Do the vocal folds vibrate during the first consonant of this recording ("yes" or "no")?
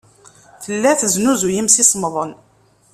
no